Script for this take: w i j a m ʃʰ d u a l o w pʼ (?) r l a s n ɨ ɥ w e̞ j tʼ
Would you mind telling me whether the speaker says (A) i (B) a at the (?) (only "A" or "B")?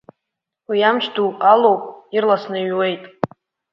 A